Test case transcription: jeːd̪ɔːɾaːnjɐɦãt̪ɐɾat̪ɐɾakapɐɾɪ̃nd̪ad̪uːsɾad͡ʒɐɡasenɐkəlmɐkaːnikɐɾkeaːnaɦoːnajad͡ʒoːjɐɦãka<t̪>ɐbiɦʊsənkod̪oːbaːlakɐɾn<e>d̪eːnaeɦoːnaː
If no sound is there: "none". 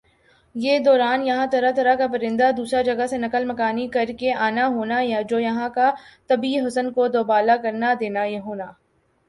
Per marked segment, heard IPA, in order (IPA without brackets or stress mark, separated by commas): t̪, a